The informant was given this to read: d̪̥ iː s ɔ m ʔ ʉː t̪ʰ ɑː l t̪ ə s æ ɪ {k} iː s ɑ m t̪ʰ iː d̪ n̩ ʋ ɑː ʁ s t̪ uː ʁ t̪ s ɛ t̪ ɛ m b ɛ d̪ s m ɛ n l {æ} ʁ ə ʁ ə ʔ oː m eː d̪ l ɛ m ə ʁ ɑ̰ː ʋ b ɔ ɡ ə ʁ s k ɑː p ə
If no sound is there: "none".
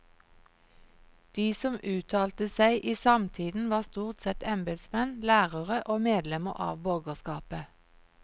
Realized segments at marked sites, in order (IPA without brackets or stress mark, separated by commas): ʔ, æː